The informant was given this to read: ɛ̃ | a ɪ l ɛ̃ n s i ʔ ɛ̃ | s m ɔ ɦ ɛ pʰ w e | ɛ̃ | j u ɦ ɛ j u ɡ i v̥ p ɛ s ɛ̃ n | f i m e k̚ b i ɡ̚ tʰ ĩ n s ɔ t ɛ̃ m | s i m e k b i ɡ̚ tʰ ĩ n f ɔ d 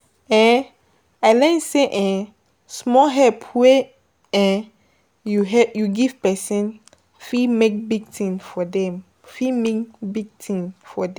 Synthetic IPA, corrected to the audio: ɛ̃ | a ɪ l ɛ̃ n s e ʔ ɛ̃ | s m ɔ ɦ ɛ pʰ w e | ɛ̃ | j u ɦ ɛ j u ɡ i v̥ p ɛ s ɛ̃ n | f i m e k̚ b i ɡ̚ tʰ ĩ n f ɔ d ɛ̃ m | f i m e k b i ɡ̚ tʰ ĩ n f ɔ d